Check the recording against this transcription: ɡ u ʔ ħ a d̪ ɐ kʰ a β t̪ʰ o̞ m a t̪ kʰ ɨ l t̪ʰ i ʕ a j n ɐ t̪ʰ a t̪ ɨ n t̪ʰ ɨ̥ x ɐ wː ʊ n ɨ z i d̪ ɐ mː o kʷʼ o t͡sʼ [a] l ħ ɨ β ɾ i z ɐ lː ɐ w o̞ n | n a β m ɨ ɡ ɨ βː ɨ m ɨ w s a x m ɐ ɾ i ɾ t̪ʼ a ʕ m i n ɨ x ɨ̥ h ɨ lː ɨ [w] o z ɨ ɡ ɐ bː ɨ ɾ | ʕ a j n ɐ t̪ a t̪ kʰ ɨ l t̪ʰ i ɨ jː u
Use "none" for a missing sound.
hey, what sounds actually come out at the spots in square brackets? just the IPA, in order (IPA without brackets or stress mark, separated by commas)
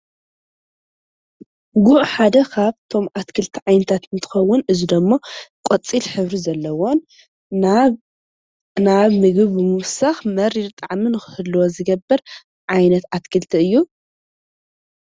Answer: i, w